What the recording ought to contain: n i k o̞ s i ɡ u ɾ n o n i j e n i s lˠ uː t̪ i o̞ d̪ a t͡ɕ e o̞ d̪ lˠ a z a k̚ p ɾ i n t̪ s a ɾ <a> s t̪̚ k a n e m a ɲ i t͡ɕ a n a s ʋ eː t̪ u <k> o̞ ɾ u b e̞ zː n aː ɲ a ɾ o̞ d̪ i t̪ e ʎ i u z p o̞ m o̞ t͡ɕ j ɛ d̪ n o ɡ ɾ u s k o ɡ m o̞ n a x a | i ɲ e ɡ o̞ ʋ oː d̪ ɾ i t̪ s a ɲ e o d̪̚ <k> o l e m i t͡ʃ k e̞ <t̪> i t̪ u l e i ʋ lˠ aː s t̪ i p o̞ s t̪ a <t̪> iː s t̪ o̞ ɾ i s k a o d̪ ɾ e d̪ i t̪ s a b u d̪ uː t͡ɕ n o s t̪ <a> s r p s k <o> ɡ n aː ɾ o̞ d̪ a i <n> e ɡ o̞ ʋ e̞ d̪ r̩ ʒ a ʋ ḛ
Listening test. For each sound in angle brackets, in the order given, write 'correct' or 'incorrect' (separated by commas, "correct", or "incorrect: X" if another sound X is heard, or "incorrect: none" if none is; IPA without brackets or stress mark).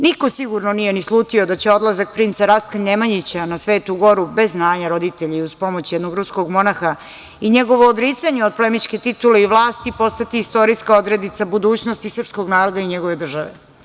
correct, incorrect: ɡ, incorrect: p, correct, correct, incorrect: i, correct, incorrect: ɲ